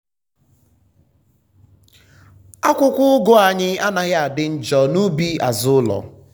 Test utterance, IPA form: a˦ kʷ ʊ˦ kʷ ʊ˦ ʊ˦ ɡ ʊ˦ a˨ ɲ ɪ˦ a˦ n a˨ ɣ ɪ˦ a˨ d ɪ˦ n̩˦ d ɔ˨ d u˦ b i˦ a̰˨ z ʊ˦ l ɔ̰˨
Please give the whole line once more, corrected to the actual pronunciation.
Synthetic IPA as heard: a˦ kʷ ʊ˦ kʷ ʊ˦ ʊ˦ ɡ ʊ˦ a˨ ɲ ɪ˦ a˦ n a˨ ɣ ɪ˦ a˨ d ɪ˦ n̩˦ d͡ʒ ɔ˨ n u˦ b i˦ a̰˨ z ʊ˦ l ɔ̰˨